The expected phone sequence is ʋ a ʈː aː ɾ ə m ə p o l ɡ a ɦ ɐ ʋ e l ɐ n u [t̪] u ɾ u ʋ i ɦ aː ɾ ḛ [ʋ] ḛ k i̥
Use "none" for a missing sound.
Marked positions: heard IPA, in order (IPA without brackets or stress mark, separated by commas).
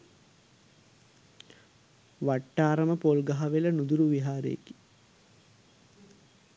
d̪, none